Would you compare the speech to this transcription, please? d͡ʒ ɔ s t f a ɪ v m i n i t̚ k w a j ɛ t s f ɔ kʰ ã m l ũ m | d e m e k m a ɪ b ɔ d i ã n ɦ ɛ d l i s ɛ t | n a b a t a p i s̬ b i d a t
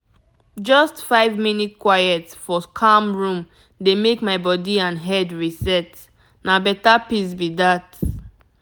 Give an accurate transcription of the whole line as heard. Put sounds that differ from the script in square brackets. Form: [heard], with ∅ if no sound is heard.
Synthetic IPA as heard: d͡ʒ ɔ s t f a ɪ v m i n i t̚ k w a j ɛ t s f ɔ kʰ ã m [ɹ] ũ m | d e m e k m a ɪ b ɔ d i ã n ɦ ɛ d [ɹ] i s ɛ t | n a b [ɛ] t a p i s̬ b i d a t